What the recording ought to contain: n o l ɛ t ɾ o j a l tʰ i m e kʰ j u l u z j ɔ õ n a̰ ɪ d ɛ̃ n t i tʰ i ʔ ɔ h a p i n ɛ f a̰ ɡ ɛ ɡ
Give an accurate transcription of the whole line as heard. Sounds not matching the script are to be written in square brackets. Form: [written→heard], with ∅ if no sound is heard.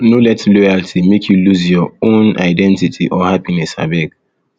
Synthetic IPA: n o l ɛ t [ɾ→l] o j a l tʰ i m e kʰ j u l u z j ɔ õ n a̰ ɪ d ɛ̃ n t i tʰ i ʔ ɔ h a p i n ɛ [f→s] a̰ [ɡ→b] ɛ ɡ

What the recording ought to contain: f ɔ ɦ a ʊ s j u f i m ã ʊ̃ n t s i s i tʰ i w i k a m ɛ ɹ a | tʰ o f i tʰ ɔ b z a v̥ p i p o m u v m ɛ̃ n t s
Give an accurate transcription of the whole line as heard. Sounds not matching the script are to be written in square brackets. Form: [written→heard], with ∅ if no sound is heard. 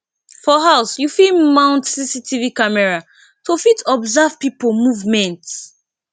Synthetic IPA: f ɔ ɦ a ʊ s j u f i m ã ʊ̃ n t s i s i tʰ i [w→v] i k a m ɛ ɹ a | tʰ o f i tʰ ɔ b z a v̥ p i p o m u v m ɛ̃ n t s

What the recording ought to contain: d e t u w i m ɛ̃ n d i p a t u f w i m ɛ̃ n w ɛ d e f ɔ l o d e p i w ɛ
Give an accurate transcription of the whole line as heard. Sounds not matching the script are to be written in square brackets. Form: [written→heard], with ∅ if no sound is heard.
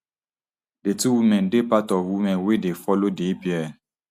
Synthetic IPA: d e t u w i m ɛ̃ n d [i→e] p a t [u→ɔ] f w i m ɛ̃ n w [ɛ→e] d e f ɔ l o d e p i [w→∅] ɛ

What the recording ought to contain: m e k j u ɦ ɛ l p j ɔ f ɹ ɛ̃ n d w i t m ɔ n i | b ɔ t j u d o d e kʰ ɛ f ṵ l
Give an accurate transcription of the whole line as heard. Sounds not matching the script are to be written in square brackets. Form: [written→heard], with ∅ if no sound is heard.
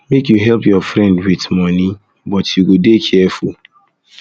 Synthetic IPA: m e k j u ɦ ɛ l p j ɔ f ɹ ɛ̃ n d w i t m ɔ n i | b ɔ t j u [d→ɡ] o d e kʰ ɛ f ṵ l

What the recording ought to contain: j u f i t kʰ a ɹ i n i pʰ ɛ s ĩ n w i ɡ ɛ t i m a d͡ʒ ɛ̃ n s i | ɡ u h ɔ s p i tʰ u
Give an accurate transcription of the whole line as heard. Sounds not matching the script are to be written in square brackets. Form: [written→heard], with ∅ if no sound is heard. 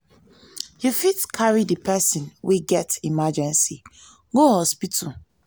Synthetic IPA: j u f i t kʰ a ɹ i [n→d] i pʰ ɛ s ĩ n w i ɡ ɛ t i m a d͡ʒ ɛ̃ n s i | ɡ [u→o] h ɔ s p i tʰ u

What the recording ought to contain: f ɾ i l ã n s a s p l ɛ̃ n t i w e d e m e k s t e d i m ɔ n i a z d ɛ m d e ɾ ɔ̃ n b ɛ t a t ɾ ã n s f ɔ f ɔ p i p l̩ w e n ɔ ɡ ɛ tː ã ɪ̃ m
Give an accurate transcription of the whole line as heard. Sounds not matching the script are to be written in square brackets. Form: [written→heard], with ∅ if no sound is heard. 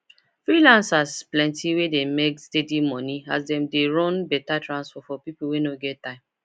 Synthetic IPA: f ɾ i l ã n s a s p l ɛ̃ n t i w e d e m e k s t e d i m ɔ n i a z d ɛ m d e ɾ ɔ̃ n b ɛ t a t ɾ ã n s f ɔ f ɔ p i p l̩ w e n [ɔ→o] ɡ ɛ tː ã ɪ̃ m

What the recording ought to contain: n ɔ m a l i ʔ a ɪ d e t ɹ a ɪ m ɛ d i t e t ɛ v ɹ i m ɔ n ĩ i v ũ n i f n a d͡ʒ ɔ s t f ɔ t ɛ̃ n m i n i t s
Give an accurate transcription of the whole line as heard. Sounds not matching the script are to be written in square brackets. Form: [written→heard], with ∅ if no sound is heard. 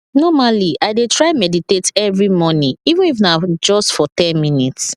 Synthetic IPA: n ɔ m a l i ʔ a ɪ d e t ɹ a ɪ m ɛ d i t e t ɛ v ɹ i m ɔ n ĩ i v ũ n i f n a d͡ʒ ɔ s t f ɔ t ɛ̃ n m i n i t s

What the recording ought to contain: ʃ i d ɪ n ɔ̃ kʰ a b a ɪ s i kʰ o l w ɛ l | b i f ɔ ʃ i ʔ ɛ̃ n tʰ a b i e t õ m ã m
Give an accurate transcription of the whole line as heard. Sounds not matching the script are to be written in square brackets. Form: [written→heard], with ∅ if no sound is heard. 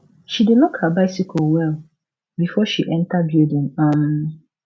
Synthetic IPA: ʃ i d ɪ n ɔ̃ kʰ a b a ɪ s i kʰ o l w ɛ l | b i f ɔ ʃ i ʔ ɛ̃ n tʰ a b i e [t→d] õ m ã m

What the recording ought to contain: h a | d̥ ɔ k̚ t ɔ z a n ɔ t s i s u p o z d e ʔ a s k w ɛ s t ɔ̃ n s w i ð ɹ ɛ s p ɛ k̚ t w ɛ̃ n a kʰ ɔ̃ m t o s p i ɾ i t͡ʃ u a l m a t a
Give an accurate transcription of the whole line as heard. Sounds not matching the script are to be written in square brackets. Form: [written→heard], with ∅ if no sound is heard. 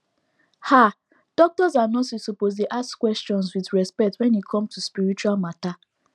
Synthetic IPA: h a | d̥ ɔ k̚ t ɔ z a n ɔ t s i s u p o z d e ʔ a s k w ɛ s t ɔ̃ n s w i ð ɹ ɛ s p ɛ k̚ t w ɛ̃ n [a→i] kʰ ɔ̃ m t [o→u] s p i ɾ i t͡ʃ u a l m a t a

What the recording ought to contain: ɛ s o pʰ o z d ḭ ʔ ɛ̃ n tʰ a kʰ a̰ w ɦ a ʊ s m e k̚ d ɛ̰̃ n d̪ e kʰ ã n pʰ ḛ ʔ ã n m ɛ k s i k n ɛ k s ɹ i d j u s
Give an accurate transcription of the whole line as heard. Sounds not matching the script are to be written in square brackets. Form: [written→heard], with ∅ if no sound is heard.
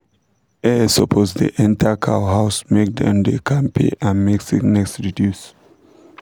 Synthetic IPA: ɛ s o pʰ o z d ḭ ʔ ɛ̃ n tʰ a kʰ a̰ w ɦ a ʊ s m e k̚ d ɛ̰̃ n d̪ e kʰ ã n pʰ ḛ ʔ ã n m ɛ k s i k n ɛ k s ɹ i d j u s

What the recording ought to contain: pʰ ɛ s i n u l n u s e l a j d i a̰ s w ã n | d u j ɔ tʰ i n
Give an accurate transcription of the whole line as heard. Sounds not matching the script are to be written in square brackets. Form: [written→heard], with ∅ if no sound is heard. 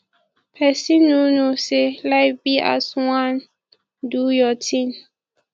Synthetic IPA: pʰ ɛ s i n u [l→∅] n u s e l a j [d→b] i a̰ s w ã n | d u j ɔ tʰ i n

